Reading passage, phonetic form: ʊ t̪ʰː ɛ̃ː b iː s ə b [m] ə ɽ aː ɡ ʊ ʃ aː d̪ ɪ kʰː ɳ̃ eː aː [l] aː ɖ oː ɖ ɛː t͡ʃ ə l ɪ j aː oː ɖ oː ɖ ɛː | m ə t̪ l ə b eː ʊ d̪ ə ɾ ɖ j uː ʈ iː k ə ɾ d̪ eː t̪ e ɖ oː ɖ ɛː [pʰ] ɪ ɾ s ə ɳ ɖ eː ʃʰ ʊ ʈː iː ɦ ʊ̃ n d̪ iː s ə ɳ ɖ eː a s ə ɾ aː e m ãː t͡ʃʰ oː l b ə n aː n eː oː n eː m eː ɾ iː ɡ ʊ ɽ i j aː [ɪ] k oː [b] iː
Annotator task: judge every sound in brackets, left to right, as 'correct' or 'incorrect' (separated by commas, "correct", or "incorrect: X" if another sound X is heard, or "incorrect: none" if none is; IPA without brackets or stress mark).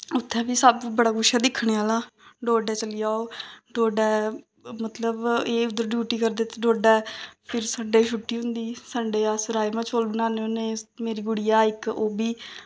incorrect: b, correct, correct, correct, correct